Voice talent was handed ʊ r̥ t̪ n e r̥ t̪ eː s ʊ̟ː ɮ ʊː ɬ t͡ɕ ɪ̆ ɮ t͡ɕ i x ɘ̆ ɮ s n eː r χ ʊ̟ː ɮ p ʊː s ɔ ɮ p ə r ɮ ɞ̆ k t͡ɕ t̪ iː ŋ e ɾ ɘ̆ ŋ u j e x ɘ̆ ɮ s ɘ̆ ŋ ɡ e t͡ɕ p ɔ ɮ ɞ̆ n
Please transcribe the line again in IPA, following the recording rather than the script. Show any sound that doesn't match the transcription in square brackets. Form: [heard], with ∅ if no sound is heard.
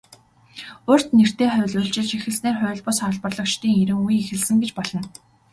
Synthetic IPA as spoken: ʊ r̥ t̪ n e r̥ t̪ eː [χ] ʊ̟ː ɮ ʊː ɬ t͡ɕ ɪ̆ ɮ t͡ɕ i x ɘ̆ ɮ s n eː r χ ʊ̟ː ɮ p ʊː s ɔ ɮ p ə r ɮ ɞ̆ k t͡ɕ t̪ iː ŋ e ɾ ɘ̆ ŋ u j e x ɘ̆ ɮ s ɘ̆ ŋ ɡ e t͡ɕ p ɔ ɮ ɞ̆ n

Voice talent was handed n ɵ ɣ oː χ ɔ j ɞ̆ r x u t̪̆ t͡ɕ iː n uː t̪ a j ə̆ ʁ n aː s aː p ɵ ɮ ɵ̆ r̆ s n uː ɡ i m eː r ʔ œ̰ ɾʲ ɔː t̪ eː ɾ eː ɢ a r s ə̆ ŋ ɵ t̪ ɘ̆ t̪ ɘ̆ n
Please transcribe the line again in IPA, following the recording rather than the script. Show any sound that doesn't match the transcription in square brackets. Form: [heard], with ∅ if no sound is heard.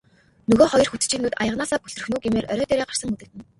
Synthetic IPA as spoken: n ɵ ɣ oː χ ɔ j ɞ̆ r x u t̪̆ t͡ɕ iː n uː t̪ a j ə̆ ʁ n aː s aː p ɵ ɮ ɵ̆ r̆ [x] n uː ɡ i m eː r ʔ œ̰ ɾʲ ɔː t̪ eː ɾ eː ɢ a r s ə̆ ŋ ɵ t̪ ɘ̆ t̪ ɘ̆ n

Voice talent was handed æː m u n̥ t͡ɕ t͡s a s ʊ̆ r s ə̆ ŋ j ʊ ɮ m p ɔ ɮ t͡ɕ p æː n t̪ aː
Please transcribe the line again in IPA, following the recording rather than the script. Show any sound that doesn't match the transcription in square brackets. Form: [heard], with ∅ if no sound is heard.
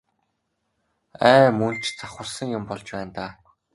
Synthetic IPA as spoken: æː m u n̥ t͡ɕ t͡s a [χ] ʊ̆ r s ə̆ ŋ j ʊ [∅] m p ɔ ɮ t͡ɕ p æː n t̪ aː

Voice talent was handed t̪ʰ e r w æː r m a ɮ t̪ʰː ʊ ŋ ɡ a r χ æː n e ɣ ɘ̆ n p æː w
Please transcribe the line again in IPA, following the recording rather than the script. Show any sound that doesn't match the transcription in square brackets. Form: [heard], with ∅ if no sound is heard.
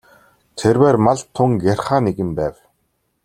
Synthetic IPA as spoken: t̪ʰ e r w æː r m a ɮ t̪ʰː ʊ ŋ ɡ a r χ [aː] n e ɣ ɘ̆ [m] p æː w

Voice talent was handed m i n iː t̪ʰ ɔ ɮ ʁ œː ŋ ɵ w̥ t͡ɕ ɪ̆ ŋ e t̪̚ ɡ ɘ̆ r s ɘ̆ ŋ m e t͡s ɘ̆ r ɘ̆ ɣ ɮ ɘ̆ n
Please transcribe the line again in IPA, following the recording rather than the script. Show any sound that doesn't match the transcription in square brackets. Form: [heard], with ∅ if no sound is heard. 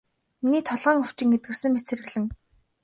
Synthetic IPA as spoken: m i n iː t̪ʰ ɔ ɮ ʁ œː ŋ ɵ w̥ t͡ɕ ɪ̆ ŋ e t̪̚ ɡ ɘ̆ r s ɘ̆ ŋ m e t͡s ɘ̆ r ɘ̆ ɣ ɮ ɘ̆ [ŋ]

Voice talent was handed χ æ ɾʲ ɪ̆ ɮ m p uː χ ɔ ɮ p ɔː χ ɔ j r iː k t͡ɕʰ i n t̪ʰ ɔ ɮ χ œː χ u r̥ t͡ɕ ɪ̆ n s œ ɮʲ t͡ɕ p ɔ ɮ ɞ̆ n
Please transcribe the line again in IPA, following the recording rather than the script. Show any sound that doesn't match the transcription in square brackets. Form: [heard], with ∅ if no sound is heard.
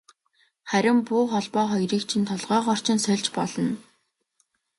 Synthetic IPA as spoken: χ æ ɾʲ ɪ̆ [∅] m p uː χ ɔ ɮ p ɔː χ ɔ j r iː k t͡ɕʰ i n t̪ʰ ɔ ɮ [ʁ] œː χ [ɔ] r̥ t͡ɕ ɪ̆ n s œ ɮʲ t͡ɕ p ɔ ɮ ɞ̆ n

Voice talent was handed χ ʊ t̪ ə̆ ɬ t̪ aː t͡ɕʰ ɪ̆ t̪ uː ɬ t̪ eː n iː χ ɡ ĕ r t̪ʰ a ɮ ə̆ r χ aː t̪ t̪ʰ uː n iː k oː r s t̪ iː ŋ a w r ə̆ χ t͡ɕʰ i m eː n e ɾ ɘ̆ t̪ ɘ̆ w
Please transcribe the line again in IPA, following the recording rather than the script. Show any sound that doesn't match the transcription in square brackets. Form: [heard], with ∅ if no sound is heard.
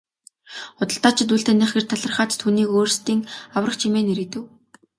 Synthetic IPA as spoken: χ ʊ t̪ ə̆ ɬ t̪ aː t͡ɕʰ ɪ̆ t̪ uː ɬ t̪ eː n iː χ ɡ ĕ r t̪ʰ a ɮ ə̆ r χ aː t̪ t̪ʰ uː n iː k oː r s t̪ iː ŋ a w r ə̆ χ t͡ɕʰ i m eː n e ɾ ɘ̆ t̪ ɘ̆ w

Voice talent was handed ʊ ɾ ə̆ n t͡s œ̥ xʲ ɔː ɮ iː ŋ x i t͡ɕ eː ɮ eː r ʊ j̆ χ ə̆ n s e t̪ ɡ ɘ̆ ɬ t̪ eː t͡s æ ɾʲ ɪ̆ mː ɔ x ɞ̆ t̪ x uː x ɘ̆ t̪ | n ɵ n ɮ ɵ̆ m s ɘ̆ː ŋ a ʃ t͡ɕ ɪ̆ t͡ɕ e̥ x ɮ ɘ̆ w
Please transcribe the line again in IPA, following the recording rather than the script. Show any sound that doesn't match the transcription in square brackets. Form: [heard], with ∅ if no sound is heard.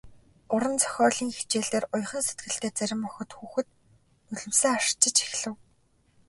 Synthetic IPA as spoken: ʊ ɾ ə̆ n t͡s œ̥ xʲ ɔː ɮ iː ŋ x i t͡ɕ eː ɮ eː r ʊ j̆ χ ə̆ n s e t̪ ɡ ɘ̆ ɬ t̪ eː t͡s æ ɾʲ ɪ̆ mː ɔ x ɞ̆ t̪ x uː x ɘ̆ t̪ | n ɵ [∅] ɮ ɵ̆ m s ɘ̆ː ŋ a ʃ t͡ɕ ɪ̆ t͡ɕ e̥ x ɮ ɘ̆ w

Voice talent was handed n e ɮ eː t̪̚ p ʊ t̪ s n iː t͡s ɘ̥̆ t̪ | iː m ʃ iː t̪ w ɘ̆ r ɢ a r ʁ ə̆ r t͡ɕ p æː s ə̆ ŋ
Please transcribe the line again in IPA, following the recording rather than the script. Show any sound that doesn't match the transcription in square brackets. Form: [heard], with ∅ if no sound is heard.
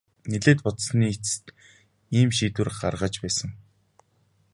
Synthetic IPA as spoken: n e ɮ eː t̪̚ p ʊ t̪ s n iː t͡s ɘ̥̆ t̪ | iː m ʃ iː t̪ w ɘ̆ r ɢ a r ʁ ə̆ [∅] t͡ɕ p æː s ə̆ ŋ

